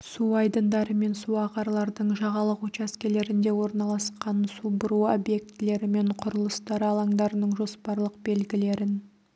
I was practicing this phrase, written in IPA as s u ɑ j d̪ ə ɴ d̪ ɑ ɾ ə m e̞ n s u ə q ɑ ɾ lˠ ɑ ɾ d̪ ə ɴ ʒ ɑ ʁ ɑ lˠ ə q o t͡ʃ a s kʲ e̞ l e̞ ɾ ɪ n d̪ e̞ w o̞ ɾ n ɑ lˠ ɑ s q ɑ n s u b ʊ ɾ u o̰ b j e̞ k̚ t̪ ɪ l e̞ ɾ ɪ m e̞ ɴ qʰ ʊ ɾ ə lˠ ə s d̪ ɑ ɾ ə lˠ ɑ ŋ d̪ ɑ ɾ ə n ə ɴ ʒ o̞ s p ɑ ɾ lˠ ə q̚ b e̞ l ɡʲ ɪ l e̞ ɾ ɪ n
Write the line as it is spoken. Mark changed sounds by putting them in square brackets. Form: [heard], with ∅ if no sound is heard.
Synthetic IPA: s u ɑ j d̪ ə [n] d̪ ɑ ɾ ə m e̞ n s u [ɑ] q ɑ ɾ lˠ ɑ ɾ d̪ ə ɴ ʒ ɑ ʁ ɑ lˠ ə q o t͡ʃ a s kʲ e̞ l e̞ ɾ ɪ n d̪ e̞ w o̞ ɾ n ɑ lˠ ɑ s q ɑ n s u b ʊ ɾ u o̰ b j e̞ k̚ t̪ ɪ l e̞ ɾ ɪ m e̞ ɴ qʰ ʊ ɾ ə lˠ ə s [t̪] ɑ ɾ [ɑ] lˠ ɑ ŋ d̪ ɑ ɾ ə n ə ɴ ʒ o̞ s p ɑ ɾ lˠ ə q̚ b e̞ l ɡʲ ɪ l e̞ ɾ ɪ n